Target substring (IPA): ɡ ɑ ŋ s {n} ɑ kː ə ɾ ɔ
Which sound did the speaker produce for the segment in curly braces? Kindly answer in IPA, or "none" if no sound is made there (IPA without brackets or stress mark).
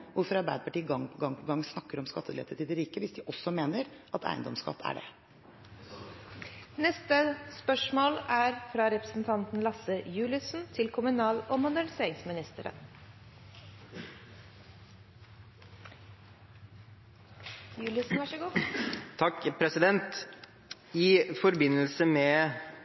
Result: n